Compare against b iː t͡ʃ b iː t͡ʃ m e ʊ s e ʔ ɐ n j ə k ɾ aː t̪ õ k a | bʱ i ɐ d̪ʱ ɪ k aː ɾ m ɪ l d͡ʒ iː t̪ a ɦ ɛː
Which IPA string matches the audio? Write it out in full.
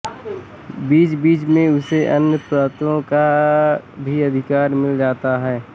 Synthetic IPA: b iː t͡ʃ b iː t͡ʃ m ẽ ʊ s e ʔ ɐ n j ə p ɾ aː t̪ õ k a | bʱ i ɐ d̪ʱ ɪ k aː ɾ m ɪ l d͡ʒ aː t̪ a ɦ ɛː